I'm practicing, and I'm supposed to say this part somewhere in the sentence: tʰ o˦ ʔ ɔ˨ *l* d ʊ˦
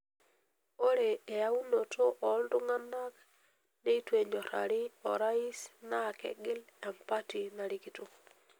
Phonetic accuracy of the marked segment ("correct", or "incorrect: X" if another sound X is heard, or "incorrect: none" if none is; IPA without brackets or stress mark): correct